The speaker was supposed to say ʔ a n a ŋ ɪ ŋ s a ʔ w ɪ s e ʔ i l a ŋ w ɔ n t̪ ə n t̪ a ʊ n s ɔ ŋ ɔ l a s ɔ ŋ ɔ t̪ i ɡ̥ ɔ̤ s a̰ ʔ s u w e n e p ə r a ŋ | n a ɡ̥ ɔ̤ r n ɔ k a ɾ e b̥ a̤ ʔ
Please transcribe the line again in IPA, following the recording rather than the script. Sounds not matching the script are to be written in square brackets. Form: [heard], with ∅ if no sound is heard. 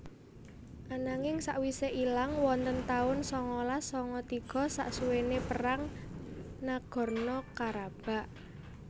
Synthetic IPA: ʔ a n a ŋ ɪ ŋ s a ʔ w [i] s e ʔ i l a ŋ w ɔ n t̪ ə n t̪ a ʊ n s ɔ ŋ ɔ l a s ɔ ŋ ɔ t̪ i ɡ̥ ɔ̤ s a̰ ʔ s u w e n e p ə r a ŋ | n a ɡ̥ ɔ̤ r n ɔ k a ɾ [a] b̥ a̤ ʔ